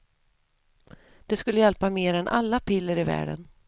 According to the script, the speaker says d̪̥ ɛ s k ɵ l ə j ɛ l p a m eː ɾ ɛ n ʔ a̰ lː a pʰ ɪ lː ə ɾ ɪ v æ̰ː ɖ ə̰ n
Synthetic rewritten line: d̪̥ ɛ s k ɵ lː ə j ɛ l p a m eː ɾ ɛ n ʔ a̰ lː a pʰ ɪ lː ə ɾ ɪ v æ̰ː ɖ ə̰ n